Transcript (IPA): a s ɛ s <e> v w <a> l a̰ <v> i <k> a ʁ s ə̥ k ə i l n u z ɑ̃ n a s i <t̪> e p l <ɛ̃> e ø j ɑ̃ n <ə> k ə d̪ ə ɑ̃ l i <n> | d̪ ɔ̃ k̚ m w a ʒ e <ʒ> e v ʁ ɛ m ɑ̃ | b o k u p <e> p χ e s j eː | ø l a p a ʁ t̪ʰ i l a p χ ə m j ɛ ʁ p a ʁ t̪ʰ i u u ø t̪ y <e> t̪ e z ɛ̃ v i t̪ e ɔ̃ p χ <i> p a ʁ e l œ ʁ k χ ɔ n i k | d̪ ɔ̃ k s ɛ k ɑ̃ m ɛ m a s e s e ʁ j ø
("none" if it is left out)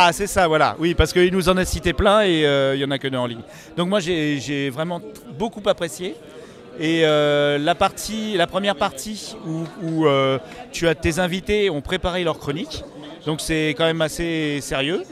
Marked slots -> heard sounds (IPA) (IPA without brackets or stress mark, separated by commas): a, a, w, p, t̪, ɛ̃, a, ɲ, ʒ, a, a, e